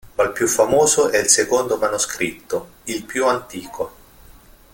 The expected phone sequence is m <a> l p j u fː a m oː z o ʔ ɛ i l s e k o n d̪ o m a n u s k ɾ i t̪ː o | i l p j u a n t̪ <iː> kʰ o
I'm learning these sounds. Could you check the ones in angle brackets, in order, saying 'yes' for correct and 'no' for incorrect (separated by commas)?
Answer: yes, yes